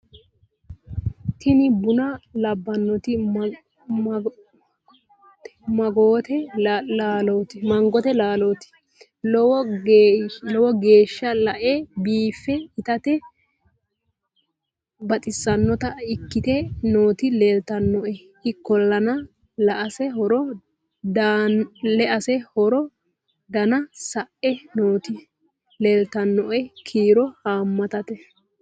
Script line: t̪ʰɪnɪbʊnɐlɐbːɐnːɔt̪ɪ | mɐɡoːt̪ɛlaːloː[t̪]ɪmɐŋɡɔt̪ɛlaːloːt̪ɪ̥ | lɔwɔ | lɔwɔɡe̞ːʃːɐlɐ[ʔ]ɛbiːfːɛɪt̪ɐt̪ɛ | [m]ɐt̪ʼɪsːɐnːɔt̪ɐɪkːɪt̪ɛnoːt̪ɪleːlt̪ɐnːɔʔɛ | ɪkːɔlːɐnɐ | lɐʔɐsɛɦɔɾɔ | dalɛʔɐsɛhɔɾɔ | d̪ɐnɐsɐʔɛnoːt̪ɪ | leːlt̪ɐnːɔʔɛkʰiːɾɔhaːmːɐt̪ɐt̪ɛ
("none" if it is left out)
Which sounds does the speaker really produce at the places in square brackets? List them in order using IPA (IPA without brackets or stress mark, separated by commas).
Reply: t̪, ʔ, b